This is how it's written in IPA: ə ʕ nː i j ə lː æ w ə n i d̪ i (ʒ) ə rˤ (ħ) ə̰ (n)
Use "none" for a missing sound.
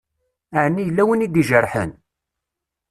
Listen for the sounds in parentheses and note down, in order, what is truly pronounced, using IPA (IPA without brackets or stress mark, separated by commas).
ʒ, ħ, n